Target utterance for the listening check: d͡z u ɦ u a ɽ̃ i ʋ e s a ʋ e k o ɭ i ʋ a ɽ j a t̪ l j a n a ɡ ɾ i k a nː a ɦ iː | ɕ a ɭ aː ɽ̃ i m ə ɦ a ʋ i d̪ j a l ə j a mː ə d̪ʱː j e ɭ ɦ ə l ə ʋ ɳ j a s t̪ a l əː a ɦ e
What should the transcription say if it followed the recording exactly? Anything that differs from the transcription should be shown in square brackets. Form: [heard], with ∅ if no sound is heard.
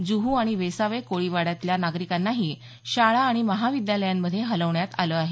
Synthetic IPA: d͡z u ɦ u a ɽ̃ i ʋ e s a ʋ e k o ɭ i ʋ a ɽ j a t̪ l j a n a ɡ ɾ i k a nː a ɦ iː | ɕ a ɭ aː ɽ̃ i m ə ɦ a ʋ i d̪ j a l ə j a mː ə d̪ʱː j e [∅] ɦ ə l ə ʋ ɳ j a [∅] t̪ a l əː a ɦ e